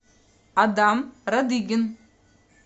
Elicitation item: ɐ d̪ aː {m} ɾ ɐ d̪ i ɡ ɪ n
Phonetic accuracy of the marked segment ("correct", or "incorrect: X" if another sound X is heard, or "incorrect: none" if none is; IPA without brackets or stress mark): correct